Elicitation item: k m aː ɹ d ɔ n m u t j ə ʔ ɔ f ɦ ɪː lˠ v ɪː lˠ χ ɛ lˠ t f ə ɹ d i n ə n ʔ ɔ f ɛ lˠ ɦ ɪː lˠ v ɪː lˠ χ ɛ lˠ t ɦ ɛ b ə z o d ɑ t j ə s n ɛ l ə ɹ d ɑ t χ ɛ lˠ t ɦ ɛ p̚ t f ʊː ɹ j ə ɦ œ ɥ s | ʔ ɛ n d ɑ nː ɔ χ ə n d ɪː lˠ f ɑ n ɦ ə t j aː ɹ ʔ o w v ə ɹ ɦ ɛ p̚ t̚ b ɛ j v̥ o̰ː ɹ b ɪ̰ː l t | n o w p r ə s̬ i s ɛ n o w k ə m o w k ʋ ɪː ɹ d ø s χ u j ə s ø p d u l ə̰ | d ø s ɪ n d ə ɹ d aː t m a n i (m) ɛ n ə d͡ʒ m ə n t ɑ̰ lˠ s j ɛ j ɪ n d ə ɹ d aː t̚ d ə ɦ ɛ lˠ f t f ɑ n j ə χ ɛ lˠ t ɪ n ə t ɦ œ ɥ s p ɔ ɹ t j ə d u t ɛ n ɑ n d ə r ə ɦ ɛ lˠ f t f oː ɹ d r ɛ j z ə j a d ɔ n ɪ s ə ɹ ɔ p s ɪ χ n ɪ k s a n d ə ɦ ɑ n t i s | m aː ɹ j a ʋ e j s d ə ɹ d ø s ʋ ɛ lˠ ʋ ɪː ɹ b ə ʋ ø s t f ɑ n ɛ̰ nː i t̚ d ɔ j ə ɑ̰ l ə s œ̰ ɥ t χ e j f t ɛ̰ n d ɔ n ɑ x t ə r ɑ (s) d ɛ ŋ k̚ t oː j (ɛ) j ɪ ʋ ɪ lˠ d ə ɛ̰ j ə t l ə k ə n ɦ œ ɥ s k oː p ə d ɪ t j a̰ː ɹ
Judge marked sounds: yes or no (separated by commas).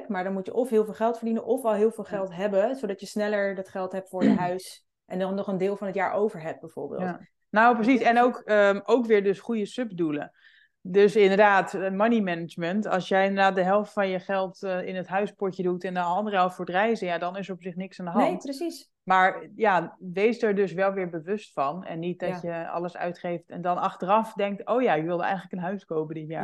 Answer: yes, no, no